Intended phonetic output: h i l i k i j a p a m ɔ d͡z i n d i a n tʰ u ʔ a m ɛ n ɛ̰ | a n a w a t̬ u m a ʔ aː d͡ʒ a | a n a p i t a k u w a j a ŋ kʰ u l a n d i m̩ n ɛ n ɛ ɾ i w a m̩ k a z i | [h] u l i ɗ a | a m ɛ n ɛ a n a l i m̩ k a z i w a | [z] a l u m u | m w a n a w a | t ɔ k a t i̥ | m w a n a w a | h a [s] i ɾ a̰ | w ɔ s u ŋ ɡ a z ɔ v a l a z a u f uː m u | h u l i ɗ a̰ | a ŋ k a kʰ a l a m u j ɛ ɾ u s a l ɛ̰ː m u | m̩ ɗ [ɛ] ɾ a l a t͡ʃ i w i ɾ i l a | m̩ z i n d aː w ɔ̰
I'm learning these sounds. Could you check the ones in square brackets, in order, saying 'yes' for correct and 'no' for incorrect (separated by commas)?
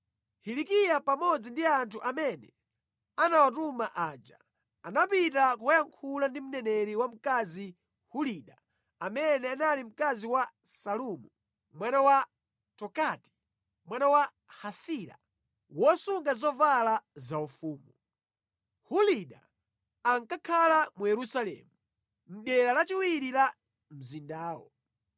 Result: yes, no, yes, yes